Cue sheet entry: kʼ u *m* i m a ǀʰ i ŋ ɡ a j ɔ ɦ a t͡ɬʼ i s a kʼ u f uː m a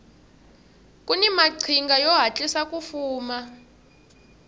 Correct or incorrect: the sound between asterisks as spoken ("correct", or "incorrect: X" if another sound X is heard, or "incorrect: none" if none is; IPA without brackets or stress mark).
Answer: incorrect: n